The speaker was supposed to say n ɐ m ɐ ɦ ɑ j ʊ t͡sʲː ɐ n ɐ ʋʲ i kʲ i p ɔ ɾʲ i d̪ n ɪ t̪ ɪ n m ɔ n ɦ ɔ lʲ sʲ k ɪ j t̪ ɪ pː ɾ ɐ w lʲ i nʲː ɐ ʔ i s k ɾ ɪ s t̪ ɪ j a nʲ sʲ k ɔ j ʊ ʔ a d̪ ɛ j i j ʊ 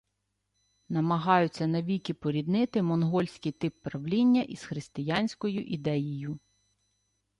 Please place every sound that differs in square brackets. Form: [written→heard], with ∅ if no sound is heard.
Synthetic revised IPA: n ɐ m ɐ ɦ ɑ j ʊ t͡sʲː ɐ n ɐ ʋʲ i kʲ i p ɔ ɾʲ i d̪ n ɪ t̪ ɪ [n→∅] m ɔ n ɦ ɔ lʲ sʲ k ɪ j t̪ ɪ pː ɾ ɐ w lʲ i nʲː ɐ ʔ i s [k→x] ɾ ɪ s t̪ ɪ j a nʲ sʲ k ɔ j ʊ ʔ [a→i] d̪ ɛ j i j ʊ